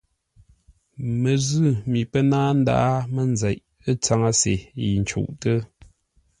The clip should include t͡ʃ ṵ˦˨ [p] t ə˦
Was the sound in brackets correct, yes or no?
no